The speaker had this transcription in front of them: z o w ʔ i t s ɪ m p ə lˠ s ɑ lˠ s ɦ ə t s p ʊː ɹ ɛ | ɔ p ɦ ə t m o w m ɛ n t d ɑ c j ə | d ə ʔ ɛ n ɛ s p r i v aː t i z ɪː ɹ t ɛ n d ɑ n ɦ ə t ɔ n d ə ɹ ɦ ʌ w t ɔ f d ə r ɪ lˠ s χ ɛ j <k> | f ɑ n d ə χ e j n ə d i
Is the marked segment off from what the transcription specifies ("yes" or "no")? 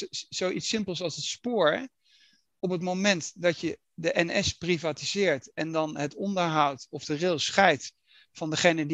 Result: yes